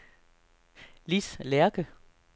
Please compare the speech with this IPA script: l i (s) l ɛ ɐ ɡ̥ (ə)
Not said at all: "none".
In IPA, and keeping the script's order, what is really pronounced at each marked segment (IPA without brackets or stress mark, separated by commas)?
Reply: s, ə